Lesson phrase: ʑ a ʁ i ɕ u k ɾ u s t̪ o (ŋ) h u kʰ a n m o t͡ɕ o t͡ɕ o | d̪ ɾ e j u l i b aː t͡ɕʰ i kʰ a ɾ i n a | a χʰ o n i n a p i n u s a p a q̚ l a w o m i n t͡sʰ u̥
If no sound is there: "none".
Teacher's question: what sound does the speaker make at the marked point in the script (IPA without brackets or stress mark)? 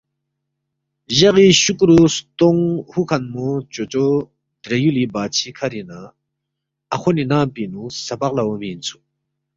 ŋ